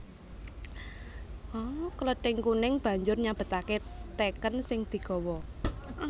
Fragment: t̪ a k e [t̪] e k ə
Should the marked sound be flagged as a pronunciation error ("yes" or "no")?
no